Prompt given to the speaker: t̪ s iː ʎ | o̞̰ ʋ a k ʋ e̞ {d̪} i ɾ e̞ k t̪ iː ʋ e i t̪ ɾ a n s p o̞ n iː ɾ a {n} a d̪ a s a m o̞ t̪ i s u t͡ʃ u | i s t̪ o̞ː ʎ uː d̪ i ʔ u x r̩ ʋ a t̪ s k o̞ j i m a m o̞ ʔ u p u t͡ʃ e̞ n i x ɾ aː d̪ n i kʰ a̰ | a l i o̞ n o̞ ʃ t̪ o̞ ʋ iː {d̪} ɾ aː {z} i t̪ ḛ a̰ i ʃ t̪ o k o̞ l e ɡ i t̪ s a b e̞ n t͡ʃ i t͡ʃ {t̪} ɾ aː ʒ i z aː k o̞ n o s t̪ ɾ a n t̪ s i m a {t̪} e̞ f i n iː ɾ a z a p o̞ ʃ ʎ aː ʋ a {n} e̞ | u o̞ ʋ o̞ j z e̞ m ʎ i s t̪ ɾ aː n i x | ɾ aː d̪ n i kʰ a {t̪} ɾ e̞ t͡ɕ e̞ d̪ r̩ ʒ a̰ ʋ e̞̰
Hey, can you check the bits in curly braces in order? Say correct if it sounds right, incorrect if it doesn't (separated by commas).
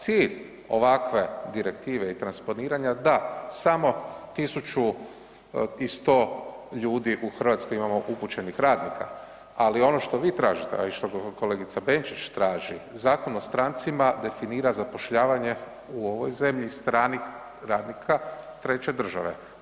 correct, incorrect, incorrect, incorrect, correct, incorrect, incorrect, correct